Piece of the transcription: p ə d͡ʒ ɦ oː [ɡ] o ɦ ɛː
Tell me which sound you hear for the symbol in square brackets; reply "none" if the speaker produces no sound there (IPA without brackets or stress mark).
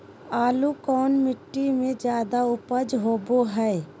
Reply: b